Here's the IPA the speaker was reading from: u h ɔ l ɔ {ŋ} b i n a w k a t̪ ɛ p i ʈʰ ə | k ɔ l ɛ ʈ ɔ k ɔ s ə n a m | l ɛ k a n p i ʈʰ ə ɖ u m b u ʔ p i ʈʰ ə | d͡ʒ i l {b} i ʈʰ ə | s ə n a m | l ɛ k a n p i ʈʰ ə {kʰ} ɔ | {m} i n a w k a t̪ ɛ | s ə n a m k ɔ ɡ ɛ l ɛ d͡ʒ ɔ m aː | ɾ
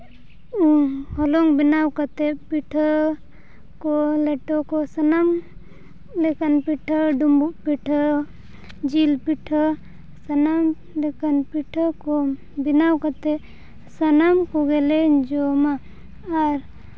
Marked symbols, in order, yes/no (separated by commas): yes, no, no, no